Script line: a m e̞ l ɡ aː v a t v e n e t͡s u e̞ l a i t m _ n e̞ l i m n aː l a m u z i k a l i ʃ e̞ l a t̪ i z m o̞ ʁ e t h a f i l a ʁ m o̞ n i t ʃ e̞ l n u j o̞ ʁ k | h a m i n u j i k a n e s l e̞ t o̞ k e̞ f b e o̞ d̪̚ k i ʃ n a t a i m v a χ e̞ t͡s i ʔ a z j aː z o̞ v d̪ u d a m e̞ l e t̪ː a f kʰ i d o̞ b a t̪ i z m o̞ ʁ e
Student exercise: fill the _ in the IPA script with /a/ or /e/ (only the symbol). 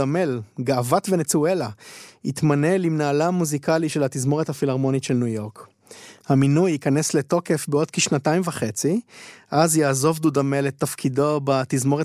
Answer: a